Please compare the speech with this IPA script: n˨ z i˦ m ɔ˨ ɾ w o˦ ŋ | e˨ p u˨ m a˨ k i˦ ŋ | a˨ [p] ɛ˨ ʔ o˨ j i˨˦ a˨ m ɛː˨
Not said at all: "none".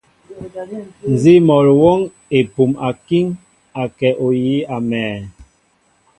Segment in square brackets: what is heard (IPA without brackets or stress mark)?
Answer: k